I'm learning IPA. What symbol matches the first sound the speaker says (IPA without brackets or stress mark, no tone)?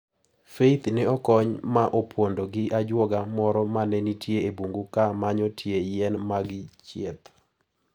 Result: f